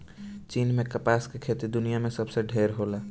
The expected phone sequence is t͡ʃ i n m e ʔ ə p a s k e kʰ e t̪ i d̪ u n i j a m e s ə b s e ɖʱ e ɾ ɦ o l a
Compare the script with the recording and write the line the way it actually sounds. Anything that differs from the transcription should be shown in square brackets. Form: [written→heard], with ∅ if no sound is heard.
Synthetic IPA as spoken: t͡ʃ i n m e [ʔ→k] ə p a s k e kʰ e t̪ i d̪ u n i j a m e s ə b s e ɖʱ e ɾ ɦ o l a